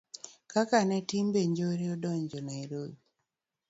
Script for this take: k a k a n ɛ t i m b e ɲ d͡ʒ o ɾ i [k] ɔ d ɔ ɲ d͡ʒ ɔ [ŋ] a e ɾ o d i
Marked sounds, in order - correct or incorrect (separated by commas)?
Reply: incorrect, incorrect